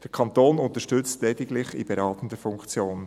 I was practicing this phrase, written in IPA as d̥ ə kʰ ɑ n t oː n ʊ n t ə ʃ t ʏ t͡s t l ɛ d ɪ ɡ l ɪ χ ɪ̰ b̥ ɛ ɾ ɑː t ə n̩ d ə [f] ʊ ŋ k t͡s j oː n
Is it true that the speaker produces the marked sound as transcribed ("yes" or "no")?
yes